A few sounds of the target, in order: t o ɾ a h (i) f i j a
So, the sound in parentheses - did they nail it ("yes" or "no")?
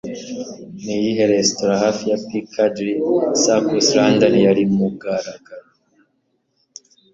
no